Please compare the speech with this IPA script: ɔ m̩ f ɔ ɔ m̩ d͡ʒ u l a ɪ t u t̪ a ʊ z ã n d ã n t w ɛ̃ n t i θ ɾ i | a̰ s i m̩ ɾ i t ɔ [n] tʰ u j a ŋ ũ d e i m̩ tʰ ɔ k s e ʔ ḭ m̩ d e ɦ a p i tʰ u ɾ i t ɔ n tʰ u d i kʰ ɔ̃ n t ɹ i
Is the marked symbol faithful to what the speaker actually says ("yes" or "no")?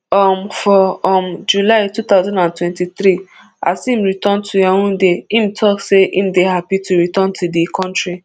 yes